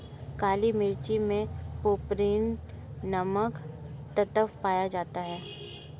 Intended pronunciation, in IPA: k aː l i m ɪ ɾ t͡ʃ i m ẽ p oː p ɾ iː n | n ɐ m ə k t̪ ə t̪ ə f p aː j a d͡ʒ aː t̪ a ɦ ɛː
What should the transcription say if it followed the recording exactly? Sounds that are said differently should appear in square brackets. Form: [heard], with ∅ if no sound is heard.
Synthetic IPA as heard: k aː l i m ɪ ɾ t͡ʃ i m ẽ p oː p ɾ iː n | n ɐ m ə k t̪ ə t̪ ə f p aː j a d͡ʒ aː t̪ a ɦ ɛː